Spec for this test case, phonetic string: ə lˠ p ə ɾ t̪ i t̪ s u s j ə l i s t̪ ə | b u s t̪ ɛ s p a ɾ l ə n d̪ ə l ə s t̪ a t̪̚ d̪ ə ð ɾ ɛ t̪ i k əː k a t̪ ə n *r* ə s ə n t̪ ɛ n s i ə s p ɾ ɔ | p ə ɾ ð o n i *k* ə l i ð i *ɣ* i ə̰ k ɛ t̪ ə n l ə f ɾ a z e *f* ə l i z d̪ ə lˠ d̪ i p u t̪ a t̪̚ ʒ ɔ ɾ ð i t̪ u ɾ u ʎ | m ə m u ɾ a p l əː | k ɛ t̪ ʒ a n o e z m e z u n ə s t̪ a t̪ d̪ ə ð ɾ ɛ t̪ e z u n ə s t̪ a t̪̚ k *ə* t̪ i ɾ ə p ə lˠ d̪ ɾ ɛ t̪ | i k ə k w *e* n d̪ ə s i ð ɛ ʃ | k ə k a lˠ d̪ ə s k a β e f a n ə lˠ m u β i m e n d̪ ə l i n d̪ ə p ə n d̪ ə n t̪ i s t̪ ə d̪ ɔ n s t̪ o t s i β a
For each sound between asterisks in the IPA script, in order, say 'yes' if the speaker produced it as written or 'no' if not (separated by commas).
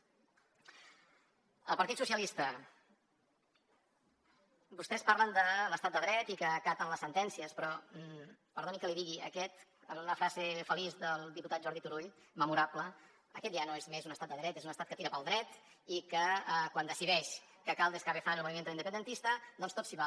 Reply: no, yes, yes, yes, yes, no